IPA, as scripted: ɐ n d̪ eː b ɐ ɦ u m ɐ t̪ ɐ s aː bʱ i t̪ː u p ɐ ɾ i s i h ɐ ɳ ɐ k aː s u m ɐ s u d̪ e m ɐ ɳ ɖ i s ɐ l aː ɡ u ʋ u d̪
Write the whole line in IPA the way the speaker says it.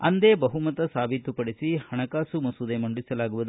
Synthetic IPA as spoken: ɐ n d̪ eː b ɐ ɦ u m ɐ t̪ ɐ s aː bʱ i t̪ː u p ɐ ɽ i s i h ɐ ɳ ɐ k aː s u m ɐ s u d̪ e m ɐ ɳ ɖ i s ɐ l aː ɡ u ʋ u d̪